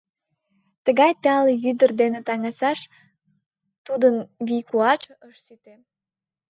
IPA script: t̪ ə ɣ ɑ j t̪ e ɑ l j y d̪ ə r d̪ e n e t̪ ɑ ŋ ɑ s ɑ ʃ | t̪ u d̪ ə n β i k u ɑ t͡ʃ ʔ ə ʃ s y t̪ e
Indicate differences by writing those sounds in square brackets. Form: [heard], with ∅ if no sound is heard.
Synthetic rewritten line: t̪ ə ɣ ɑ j t̪ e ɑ l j y d̪ ə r d̪ e n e t̪ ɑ ŋ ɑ s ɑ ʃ | t̪ u d̪ ə n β i k u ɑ t͡ʃ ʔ ə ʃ s y t̪ e